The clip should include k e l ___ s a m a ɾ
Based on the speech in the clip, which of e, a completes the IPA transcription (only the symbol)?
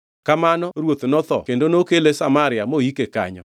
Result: e